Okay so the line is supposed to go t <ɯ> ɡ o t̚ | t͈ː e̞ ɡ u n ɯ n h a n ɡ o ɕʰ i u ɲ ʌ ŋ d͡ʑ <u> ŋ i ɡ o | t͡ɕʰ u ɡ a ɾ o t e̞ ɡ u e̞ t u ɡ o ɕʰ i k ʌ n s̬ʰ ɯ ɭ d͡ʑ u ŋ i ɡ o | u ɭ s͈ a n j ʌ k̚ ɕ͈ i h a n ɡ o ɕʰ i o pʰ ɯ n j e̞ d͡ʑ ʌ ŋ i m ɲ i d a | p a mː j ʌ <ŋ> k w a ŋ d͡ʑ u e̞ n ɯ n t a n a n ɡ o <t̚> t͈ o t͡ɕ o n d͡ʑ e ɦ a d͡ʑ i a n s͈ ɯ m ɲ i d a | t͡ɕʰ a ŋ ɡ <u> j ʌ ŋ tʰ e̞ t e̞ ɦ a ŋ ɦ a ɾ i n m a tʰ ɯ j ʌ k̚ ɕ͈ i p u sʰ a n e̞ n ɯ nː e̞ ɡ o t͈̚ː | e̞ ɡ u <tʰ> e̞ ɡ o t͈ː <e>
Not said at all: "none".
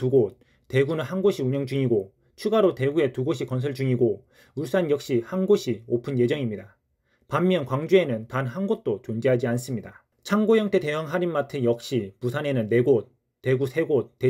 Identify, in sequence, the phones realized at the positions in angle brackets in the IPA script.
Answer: u, u, n, t̚, o, sʰ, e

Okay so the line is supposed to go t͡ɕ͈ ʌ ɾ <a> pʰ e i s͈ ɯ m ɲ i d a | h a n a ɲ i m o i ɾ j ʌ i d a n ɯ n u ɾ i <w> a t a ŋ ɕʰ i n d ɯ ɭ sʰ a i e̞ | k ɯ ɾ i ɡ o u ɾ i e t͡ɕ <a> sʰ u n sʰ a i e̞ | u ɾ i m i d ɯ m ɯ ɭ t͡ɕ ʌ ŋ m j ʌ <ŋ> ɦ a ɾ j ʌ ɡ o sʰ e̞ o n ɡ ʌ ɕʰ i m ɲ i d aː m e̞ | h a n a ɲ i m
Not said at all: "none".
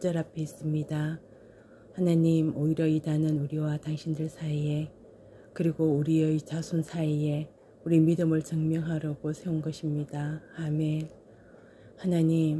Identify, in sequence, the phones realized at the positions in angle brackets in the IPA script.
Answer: a, w, a, ŋ

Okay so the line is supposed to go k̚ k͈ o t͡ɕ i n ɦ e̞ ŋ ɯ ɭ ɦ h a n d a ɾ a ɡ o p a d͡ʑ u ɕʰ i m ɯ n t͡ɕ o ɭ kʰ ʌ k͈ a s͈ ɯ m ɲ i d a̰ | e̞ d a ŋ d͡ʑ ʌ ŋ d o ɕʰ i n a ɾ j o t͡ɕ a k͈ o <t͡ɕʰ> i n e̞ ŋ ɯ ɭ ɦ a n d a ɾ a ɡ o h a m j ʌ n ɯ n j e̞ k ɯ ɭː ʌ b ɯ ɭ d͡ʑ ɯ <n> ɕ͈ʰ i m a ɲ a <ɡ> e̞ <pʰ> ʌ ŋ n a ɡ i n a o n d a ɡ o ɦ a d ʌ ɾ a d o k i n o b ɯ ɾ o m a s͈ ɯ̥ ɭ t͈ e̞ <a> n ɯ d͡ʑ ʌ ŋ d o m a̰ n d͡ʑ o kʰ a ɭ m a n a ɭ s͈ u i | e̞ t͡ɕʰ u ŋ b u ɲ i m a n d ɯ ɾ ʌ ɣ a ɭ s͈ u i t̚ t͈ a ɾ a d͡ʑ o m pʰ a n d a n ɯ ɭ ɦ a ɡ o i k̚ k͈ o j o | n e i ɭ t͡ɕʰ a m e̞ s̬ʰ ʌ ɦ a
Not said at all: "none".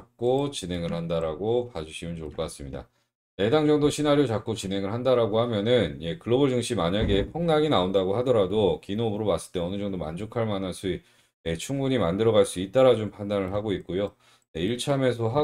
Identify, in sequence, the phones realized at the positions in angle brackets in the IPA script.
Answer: t͡ɕ, ŋ, ɡ, pʰ, ʌ

